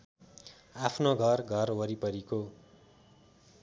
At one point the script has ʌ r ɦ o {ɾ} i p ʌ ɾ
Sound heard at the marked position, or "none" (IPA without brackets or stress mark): ɾ